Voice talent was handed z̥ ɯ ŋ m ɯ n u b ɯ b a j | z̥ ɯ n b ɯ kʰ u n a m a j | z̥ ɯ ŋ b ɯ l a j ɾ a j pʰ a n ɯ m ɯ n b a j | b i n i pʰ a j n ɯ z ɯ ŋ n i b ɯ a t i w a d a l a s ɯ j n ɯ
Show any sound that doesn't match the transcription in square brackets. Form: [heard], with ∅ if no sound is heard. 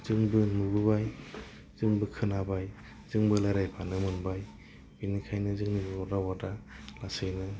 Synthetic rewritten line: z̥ ɯ ŋ [b] ɯ n u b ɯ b a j | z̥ ɯ [ŋ] b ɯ kʰ [ɯ] n a [b] a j | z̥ ɯ ŋ b ɯ l a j ɾ a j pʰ a n ɯ m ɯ n b a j | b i n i [kʰ] a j n ɯ z ɯ ŋ n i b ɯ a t [a] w a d a l a s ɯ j n ɯ